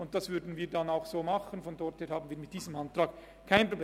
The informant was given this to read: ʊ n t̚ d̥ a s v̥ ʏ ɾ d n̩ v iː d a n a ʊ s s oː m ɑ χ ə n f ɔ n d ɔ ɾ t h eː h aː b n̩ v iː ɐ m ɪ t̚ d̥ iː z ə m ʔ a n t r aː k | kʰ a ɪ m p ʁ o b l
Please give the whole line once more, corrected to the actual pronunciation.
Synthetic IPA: ʊ n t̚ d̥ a s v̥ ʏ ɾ d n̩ v iː d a n a ʊ x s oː m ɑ χ ə n f ɔ n d ɔ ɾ t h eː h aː b n̩ v iː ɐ m ɪ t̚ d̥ iː z ə m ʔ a n t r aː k | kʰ a ɪ n p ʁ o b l